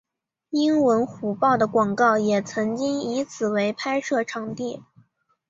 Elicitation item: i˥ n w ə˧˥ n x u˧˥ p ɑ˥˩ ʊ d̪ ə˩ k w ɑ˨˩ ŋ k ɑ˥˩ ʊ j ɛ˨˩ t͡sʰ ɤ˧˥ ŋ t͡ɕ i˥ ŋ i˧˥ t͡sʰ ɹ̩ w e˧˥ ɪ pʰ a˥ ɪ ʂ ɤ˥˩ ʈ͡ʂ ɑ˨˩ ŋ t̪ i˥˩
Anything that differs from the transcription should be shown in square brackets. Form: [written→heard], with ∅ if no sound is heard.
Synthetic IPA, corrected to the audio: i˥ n w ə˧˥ n x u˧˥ p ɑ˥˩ ʊ d̪ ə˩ k w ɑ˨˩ ŋ k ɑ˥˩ ʊ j ɛ˨˩ t͡sʰ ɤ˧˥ ŋ t͡ɕ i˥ ŋ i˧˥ t͡sʰ ɹ̩ w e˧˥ ɪ pʰ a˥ ɪ ʂ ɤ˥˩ [ʈ͡ʂ→ʈ͡ʂʰ] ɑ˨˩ ŋ t̪ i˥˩